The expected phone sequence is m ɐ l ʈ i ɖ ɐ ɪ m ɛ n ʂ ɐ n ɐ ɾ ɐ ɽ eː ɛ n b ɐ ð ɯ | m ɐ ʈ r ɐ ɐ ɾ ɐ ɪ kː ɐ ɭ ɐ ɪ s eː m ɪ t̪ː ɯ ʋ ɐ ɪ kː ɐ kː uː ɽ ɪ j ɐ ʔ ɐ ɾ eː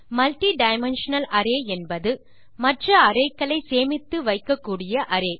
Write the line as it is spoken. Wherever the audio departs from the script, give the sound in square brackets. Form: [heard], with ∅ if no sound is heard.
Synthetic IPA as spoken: m ɐ l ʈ i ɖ ɐ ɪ m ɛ n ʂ ɐ n ɐ [l] ɐ [ɾ] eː ɛ n b ɐ ð ɯ | m ɐ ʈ r ɐ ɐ ɾ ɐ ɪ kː ɐ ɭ ɐ ɪ s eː m ɪ t̪ː ɯ ʋ ɐ ɪ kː ɐ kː uː ɽ ɪ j ɐ ʔ ɐ ɾ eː

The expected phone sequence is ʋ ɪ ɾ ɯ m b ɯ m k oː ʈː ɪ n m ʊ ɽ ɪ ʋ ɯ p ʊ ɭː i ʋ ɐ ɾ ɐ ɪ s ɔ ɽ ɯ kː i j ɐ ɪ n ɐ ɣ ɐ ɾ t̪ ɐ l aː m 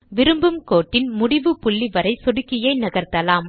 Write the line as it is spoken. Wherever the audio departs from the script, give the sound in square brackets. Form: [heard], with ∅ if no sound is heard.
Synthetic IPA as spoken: ʋ ɪ ɾ ɯ m b ɯ m k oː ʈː ɪ n m ʊ ɽ ɪ ʋ ɯ p ʊ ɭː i ʋ ɐ ɾ ɐ ɪ s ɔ ɽ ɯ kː [ɪ] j ɐ ɪ n ɐ ɣ ɐ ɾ t̪ ɐ l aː m

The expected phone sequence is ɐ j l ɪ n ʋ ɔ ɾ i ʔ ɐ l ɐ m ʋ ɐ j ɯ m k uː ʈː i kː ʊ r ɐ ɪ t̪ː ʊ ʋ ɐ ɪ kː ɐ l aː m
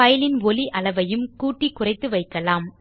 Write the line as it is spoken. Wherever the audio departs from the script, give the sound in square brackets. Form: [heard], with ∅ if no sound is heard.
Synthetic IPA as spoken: ɐ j l ɪ n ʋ ɔ [l] i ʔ ɐ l ɐ [∅] ʋ ɐ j ɯ m k uː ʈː i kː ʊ r ɐ ɪ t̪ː [ɯ] ʋ ɐ ɪ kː ɐ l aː m

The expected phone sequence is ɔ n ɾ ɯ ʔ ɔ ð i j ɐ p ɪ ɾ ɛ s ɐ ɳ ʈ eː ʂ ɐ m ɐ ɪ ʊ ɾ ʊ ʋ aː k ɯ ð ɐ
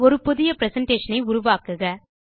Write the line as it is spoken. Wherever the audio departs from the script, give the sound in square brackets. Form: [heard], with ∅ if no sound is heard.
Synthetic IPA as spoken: ɔ [∅] ɾ ɯ [p] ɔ ð [ɪ] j ɐ p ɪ ɾ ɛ s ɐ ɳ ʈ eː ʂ ɐ [n] ɐ ɪ ʊ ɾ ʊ ʋ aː k ɯ [ɣ] ɐ

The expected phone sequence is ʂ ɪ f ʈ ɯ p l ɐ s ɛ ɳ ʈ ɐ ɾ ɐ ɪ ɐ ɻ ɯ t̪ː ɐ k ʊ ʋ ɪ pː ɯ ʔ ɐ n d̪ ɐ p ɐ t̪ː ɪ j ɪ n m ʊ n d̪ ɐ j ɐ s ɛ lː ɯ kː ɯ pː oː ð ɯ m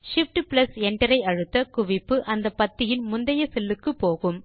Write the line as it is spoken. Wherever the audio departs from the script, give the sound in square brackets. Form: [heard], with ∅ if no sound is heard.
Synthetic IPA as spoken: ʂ ɪ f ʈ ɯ p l ɐ s ɛ ɳ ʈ ɐ ɾ ɐ ɪ ɐ ɻ ɯ t̪ː ɐ k ʊ ʋ ɪ pː ɯ ʔ ɐ n d̪ ɐ p ɐ t̪ː ɪ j ɪ n m ʊ n d̪ ɐ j ɐ s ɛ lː ɯ kː ɯ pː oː [ɣ] ɯ m

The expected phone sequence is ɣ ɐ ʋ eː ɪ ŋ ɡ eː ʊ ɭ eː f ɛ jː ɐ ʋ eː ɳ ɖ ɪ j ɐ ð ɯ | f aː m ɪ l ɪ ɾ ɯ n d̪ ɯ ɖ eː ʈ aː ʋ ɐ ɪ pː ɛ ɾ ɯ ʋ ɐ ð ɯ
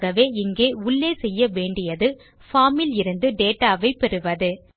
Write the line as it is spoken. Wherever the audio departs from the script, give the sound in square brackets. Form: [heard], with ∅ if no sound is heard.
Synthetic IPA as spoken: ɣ ɐ ʋ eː ɪ ŋ ɡ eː ʊ [ɭː] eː [s] ɛ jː ɐ ʋ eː ɳ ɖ ɪ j ɐ ð ɯ | f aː m ɪ l ɪ ɾ ɯ n d̪ ɯ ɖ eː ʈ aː ʋ ɐ ɪ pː ɛ ɾ ɯ ʋ ɐ ð ɯ

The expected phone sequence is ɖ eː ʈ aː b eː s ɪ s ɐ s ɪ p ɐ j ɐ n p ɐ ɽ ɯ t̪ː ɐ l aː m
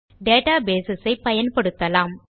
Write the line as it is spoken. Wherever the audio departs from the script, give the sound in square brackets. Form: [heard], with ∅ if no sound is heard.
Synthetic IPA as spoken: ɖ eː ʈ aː b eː s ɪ s ɐ [∅] ɪ p ɐ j ɐ n p ɐ ɽ ɯ t̪ː ɐ l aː m

